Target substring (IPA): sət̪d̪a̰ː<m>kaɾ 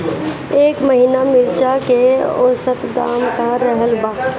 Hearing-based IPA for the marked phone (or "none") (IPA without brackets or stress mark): m